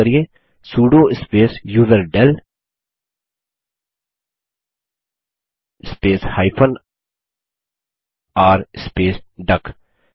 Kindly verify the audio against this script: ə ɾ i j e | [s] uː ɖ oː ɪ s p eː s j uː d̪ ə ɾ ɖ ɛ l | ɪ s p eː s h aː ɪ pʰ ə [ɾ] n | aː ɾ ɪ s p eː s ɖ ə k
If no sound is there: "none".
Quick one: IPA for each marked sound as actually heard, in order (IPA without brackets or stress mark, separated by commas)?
s, none